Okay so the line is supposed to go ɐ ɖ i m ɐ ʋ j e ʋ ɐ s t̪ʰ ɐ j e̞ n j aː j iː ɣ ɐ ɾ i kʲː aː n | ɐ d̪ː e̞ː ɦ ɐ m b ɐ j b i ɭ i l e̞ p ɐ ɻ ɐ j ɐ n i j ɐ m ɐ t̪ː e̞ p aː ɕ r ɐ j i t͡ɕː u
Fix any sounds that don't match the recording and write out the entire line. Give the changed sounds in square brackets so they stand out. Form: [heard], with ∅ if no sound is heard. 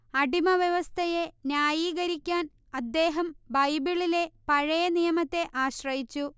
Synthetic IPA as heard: ɐ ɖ i m ɐ ʋ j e ʋ ɐ s t̪ʰ ɐ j e̞ n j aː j iː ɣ ɐ ɾ i kʲː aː n | ɐ d̪ː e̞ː ɦ ɐ m b ɐ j b i ɭ i l e̞ p ɐ ɻ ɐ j ɐ n i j ɐ m ɐ t̪ː e̞ [ʔ] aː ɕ r ɐ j i t͡ɕː u